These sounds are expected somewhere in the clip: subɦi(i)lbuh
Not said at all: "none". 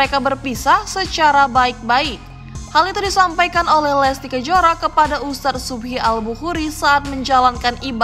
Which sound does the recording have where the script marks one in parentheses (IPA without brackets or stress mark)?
a